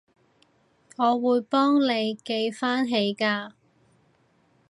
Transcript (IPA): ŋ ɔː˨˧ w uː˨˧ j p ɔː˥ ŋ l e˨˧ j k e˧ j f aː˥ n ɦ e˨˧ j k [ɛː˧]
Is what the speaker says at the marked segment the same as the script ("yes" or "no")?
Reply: no